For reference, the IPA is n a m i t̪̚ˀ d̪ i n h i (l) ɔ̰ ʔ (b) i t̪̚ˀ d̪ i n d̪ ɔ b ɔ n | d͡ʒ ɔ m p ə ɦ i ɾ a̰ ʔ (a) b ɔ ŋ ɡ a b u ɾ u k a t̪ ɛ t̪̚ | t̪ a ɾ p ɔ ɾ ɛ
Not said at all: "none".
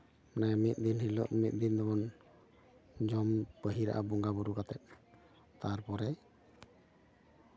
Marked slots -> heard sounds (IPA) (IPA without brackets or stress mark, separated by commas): l, m, a